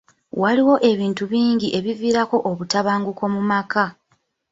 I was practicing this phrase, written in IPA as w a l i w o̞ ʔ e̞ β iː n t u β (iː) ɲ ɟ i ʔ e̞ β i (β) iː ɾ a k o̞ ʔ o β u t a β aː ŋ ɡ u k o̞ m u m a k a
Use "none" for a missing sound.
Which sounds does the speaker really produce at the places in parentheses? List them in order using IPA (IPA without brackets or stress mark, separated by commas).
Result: iː, v